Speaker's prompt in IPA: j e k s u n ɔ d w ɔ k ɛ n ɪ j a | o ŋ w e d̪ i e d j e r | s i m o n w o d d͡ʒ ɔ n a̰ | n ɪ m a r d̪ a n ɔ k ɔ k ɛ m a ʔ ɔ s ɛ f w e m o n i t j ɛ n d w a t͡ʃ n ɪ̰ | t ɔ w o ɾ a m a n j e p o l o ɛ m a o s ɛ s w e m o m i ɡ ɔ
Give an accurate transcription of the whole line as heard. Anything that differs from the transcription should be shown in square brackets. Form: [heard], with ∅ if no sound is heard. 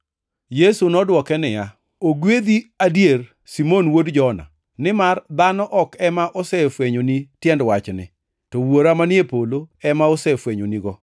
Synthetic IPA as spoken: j e [∅] s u n ɔ d w ɔ k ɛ n ɪ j a | o [ɡ] w e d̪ i [a] d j e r | s i m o n w o d d͡ʒ ɔ n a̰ | n ɪ m a r d̪ a n ɔ [ʔ] ɔ k ɛ m a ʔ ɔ s ɛ f w e [ɲ] o n i t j ɛ n d w a t͡ʃ n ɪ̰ | t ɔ w o ɾ a m a n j e p o l o ɛ m a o s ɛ [f] w e [ɲ] o [n] i ɡ ɔ